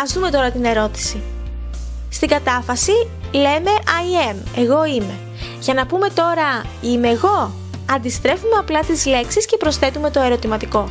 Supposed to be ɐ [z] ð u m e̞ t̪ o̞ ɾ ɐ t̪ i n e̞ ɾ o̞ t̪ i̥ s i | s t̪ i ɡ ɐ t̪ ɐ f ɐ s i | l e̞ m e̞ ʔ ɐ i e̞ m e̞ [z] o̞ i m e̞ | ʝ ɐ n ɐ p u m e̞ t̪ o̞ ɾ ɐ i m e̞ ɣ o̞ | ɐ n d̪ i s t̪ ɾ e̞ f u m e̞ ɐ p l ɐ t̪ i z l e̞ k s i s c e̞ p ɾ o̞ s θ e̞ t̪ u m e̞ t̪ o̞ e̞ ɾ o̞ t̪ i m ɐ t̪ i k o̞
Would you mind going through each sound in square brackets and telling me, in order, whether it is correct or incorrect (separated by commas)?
correct, incorrect